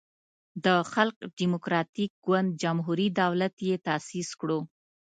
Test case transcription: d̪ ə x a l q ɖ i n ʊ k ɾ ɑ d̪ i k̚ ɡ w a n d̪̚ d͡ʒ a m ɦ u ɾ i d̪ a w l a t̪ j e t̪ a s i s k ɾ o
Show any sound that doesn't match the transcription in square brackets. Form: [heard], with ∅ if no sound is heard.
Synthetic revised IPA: d̪ ə x a l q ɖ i [m] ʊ k ɾ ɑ [t̪] i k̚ ɡ w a n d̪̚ d͡ʒ a m ɦ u ɾ i d̪ a w l a t̪ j e t̪ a s i s k [ɽ] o